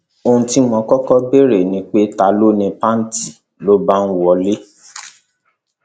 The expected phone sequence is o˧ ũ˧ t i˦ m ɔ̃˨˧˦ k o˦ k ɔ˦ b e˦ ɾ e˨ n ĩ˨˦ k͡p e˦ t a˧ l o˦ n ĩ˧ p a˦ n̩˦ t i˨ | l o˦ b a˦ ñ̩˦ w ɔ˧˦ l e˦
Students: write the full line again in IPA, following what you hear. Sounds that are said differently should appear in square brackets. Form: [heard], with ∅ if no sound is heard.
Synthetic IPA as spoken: o˧ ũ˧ t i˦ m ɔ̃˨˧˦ k [ɔ˦] k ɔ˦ b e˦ ɾ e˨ n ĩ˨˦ k͡p e˦ t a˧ l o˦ n ĩ˧ p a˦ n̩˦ t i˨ | l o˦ b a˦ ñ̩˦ w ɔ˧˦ l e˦